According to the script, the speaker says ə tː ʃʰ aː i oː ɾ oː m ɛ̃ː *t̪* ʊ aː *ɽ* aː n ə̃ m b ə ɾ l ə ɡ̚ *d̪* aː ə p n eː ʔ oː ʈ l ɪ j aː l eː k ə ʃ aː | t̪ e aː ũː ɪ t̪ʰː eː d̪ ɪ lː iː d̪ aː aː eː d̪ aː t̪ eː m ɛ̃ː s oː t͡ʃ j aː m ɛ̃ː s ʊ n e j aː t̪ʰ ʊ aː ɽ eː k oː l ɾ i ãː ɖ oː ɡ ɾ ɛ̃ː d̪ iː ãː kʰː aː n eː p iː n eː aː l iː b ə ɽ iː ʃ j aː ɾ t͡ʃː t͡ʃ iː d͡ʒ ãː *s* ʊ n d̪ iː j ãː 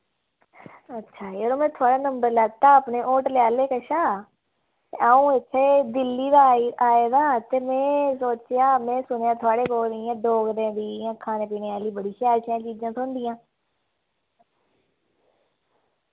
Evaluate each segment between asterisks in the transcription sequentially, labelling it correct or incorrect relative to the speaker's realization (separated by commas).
incorrect, correct, incorrect, correct